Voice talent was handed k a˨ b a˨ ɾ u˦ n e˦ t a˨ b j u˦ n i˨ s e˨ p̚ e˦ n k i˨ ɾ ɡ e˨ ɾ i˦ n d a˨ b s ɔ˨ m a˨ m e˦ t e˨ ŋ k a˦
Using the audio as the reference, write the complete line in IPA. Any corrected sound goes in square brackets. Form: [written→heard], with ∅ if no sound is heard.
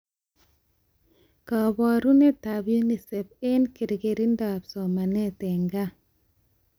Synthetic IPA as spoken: k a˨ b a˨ ɾ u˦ n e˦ t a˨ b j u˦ n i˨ s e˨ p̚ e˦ n k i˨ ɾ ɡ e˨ ɾ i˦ n d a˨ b s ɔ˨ m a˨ [m→n] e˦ t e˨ ŋ [k→ɡ] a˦